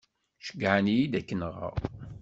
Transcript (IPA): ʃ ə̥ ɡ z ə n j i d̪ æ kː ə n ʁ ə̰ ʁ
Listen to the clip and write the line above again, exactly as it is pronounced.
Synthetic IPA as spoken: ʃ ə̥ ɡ ʕ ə n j i d̪ æ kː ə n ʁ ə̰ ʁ